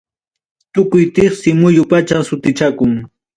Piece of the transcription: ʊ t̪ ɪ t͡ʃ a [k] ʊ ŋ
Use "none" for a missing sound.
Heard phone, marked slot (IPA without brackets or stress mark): k